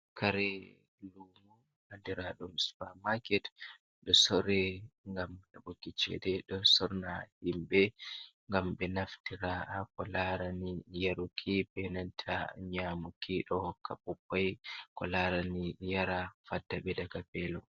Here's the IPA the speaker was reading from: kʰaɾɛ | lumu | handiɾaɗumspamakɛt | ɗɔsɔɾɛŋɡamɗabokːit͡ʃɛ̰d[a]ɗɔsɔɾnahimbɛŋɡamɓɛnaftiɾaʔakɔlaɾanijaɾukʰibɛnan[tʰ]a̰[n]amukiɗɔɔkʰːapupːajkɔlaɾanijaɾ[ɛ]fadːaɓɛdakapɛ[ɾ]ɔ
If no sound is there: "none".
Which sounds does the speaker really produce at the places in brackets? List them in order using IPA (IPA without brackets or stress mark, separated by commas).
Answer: ɛ, tʰ, ɲ, a, l